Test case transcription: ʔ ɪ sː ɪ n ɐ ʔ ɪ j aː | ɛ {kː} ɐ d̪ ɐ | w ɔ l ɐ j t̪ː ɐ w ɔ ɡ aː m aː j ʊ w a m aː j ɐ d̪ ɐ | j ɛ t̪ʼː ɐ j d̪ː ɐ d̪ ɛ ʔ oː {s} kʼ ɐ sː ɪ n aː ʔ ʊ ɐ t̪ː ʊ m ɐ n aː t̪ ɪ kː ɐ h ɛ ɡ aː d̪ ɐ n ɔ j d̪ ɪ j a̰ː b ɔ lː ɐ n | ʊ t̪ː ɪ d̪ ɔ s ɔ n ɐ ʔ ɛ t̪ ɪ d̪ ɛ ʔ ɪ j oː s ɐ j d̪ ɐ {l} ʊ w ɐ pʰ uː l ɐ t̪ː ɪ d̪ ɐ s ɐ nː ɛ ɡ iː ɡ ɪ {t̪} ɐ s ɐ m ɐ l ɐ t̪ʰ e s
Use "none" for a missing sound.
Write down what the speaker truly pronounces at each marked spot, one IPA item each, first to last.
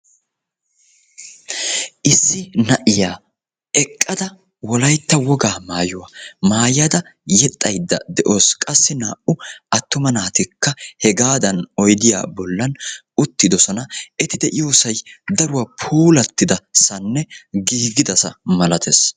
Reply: kʼː, s, ɾ, d̪

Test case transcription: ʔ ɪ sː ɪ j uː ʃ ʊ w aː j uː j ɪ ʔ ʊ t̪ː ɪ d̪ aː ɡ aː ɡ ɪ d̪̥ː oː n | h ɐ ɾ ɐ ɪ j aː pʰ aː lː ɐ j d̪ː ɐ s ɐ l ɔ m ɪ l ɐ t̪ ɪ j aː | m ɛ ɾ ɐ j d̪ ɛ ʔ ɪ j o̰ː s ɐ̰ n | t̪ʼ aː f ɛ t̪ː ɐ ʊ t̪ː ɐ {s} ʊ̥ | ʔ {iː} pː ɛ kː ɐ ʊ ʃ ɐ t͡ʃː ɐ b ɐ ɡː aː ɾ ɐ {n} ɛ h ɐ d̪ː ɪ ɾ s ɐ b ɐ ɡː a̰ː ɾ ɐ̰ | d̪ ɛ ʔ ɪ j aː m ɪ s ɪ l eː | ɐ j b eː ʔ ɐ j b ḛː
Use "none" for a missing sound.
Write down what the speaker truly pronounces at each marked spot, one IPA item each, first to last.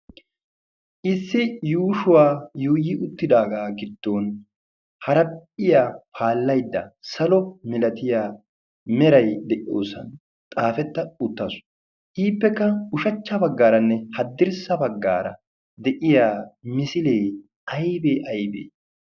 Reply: s, iː, nː

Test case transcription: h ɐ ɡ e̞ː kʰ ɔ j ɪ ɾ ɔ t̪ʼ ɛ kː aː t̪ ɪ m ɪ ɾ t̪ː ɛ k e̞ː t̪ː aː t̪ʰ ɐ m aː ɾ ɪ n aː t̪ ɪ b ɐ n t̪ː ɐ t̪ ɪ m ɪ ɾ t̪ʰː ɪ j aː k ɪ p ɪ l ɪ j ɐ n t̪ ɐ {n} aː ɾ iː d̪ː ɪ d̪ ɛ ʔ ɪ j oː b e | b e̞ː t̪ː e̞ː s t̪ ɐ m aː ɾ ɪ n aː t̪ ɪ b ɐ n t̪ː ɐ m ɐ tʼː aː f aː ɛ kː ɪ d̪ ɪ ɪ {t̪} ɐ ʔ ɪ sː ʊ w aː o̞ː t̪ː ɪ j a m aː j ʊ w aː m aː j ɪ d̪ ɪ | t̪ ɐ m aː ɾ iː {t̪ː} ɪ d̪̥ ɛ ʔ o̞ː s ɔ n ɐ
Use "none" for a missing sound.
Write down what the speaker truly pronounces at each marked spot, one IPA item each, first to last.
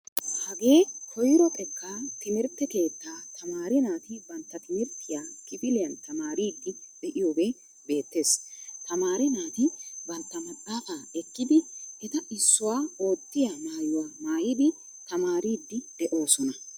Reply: m, t̪, d̪ː

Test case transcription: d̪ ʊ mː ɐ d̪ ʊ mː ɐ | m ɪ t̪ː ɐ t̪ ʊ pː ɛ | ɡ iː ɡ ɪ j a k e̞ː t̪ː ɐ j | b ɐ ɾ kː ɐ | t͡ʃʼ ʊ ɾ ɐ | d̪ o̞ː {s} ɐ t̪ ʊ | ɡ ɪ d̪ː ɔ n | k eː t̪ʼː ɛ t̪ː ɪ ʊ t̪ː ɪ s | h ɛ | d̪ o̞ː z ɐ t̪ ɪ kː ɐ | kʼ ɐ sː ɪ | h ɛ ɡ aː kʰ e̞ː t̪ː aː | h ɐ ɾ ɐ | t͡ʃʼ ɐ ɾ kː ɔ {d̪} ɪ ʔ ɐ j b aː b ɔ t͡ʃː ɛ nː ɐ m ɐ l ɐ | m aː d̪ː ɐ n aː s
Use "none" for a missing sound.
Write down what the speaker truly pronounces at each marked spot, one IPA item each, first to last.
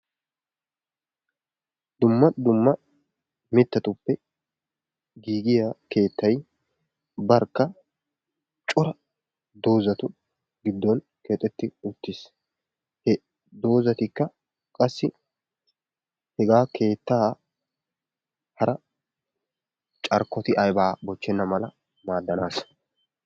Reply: z, t̪

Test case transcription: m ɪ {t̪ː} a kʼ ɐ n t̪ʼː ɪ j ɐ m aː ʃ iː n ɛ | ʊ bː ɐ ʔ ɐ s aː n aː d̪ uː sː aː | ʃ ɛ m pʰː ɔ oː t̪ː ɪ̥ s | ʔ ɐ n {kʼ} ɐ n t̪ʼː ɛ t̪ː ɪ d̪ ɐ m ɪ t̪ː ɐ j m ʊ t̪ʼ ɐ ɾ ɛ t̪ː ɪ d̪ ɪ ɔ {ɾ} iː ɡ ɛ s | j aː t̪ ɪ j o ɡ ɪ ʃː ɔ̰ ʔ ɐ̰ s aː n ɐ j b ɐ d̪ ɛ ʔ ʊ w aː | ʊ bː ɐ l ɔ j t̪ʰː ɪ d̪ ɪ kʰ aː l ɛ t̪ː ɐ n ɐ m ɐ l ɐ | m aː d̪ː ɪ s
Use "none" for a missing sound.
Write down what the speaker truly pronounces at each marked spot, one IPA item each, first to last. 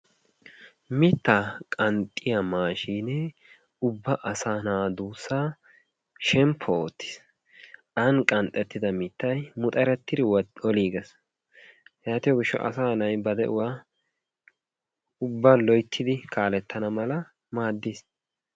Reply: t̪ː, kʼ, l

